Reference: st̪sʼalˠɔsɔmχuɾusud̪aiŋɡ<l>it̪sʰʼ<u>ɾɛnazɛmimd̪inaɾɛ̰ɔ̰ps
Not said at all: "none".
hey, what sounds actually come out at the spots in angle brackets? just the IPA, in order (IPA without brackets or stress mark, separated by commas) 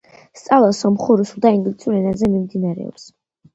l, u